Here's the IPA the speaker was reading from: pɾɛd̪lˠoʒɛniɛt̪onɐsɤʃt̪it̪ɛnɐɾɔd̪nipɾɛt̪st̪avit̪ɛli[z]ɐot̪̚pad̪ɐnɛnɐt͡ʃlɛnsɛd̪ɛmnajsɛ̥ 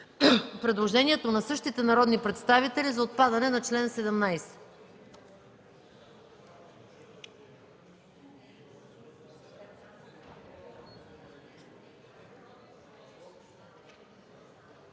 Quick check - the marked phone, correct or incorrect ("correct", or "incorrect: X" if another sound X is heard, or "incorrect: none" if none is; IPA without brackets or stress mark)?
correct